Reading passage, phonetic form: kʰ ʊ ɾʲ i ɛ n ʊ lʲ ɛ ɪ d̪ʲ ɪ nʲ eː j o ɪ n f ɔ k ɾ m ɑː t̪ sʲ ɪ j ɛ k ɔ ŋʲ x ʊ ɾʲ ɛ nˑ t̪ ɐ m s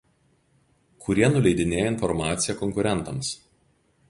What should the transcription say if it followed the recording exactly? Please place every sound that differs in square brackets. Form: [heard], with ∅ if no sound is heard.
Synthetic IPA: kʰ ʊ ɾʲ i ɛ n ʊ lʲ ɛ ɪ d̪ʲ ɪ nʲ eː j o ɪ n f ɔ [∅] ɾ m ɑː t̪ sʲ ɪ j ɛ k ɔ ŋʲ [k] ʊ ɾʲ ɛ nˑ t̪ ɐ m s